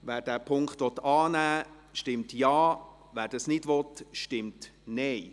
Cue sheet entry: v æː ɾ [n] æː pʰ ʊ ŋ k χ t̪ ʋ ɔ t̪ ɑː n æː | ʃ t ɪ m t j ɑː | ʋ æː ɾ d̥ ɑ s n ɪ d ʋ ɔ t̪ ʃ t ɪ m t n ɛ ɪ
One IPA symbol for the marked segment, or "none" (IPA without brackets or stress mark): d